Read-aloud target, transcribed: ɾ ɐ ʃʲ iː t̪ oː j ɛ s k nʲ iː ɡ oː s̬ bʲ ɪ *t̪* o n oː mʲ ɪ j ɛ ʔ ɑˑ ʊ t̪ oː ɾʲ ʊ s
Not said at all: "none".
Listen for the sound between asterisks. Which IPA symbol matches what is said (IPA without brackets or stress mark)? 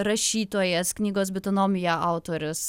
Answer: t̪